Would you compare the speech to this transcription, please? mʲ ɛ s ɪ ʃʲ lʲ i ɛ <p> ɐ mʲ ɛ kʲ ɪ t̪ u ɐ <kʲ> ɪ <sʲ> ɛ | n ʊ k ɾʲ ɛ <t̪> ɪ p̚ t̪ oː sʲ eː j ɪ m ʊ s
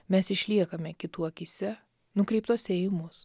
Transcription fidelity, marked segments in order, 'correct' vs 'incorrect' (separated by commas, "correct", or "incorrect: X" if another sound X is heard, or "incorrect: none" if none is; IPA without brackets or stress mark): incorrect: k, correct, correct, incorrect: none